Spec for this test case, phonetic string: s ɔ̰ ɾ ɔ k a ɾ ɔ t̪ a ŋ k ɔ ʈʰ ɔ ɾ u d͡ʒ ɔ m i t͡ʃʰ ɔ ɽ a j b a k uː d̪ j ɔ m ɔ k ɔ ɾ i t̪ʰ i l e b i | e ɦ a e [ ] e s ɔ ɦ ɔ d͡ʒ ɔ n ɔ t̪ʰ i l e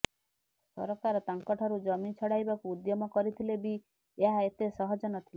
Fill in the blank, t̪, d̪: t̪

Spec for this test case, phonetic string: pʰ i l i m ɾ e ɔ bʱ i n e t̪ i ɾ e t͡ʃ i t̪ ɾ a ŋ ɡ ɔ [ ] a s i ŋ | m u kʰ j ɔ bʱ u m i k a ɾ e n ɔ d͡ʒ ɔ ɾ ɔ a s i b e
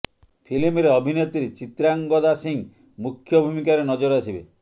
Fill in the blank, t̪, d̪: d̪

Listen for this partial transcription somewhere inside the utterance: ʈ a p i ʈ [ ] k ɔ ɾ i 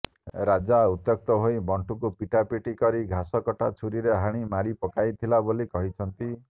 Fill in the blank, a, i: i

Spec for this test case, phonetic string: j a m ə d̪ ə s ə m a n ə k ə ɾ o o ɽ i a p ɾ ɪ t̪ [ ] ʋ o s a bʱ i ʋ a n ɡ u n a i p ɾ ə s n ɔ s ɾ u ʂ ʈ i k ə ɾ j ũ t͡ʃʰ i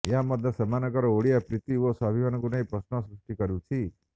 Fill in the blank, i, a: i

